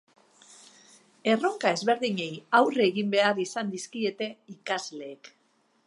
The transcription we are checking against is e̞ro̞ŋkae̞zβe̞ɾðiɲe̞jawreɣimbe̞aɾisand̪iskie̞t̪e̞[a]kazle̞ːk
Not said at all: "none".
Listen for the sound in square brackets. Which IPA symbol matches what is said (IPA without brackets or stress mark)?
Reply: i